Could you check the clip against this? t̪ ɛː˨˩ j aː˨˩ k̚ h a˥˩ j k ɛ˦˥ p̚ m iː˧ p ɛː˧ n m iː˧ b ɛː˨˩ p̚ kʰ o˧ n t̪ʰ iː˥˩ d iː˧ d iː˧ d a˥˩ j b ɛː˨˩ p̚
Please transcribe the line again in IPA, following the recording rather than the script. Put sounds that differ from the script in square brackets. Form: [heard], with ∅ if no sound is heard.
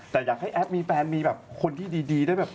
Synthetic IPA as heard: t̪ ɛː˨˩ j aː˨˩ k̚ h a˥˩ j [ʔ] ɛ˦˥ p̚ m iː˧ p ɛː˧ n m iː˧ b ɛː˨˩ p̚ kʰ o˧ n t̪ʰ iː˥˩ d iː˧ d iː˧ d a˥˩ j b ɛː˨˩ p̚